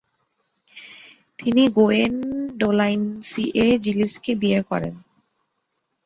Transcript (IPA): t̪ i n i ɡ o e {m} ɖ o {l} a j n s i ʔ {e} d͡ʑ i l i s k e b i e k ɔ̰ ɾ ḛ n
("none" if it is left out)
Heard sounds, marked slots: n, l, e

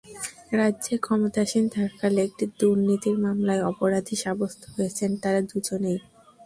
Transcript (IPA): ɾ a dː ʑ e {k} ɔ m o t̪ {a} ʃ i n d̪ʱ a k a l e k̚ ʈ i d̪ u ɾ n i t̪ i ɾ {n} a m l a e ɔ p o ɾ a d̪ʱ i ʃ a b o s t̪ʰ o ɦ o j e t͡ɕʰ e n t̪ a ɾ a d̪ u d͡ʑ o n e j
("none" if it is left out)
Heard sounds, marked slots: kʰ, a, m

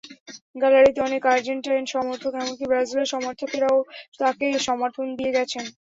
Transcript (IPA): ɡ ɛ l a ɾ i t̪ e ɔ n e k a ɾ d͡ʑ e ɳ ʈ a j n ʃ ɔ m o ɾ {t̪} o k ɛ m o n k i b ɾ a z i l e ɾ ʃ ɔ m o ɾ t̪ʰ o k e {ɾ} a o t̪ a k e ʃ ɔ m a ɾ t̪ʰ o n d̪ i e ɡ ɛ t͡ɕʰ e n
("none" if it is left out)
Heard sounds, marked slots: t̪ʰ, ɾ

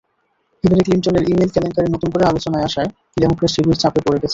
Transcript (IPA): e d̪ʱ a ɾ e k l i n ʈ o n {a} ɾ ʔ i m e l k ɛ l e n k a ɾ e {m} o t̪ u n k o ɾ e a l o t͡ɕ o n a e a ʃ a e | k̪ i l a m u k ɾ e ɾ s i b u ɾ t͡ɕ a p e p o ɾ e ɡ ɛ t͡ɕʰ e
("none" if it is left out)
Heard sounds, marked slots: e, n

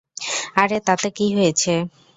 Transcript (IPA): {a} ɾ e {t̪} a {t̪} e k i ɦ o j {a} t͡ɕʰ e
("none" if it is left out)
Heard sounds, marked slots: a, t̪, t̪, e

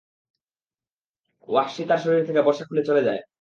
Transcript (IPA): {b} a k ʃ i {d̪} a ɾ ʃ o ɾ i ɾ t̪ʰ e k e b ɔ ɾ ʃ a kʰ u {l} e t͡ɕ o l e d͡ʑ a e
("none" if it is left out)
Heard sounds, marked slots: w, t̪, l

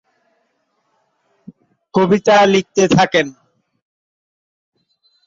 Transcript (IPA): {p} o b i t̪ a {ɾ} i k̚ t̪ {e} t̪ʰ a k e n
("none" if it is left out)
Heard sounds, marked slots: k, l, e

